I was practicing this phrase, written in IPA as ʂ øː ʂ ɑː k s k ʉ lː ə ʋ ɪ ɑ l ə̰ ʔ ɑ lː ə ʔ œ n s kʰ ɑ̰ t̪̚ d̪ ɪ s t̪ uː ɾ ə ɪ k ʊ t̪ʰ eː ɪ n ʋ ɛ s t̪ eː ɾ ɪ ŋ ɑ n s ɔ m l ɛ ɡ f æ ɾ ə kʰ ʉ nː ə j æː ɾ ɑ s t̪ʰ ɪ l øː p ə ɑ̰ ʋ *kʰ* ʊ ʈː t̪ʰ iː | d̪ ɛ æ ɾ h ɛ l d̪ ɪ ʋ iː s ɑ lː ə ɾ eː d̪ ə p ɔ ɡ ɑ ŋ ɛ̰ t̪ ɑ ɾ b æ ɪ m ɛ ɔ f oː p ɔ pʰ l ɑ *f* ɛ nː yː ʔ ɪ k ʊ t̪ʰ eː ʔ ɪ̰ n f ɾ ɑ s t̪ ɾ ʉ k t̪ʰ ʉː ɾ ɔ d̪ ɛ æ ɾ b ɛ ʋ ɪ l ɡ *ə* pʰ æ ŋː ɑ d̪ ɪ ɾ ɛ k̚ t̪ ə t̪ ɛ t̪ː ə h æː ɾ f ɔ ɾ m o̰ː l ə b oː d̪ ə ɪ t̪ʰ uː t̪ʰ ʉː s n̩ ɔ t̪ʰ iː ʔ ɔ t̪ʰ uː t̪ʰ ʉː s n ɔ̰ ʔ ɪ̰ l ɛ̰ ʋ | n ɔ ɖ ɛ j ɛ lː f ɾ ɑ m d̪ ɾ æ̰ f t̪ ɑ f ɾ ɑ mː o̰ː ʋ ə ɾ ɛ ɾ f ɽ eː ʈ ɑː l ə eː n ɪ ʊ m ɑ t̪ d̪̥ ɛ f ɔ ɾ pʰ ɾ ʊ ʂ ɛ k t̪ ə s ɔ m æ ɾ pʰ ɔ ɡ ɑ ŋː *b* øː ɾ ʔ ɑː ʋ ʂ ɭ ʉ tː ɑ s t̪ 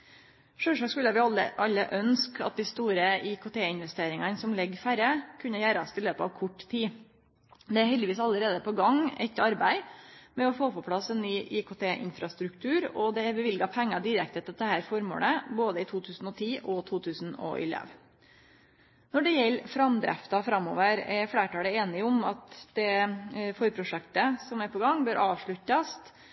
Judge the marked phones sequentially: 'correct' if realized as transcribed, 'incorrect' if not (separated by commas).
correct, incorrect, incorrect, correct